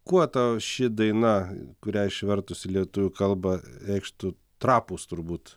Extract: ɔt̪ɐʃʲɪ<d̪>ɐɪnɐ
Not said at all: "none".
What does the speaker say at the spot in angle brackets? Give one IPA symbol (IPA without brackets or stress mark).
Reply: d̪